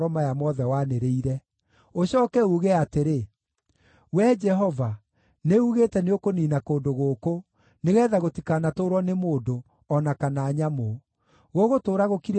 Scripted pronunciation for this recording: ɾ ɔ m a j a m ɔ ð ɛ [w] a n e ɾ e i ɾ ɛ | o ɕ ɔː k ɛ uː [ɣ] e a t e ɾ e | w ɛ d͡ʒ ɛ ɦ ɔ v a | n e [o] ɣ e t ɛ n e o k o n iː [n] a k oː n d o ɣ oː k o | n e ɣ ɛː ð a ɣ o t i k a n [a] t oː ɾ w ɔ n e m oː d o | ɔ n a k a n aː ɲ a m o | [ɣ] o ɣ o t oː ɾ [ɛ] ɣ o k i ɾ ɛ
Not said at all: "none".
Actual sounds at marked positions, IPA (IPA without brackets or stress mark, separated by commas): w, ɣ, u, n, a, ɣ, a